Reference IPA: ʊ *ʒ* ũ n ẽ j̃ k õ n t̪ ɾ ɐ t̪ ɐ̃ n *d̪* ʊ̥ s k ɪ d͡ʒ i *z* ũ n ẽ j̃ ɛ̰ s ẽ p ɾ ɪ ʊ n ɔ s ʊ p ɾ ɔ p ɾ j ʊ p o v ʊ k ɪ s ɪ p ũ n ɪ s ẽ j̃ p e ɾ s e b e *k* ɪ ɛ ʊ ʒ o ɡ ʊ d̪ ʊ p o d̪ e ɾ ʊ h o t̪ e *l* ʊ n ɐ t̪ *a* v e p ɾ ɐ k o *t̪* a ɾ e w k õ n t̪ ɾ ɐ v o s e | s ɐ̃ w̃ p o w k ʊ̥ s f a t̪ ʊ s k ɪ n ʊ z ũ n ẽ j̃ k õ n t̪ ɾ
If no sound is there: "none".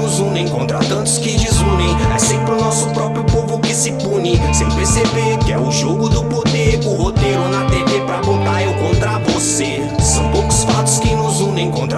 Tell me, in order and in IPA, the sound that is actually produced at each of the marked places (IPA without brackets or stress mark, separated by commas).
z, t̪, z, k, ɾ, e, t̪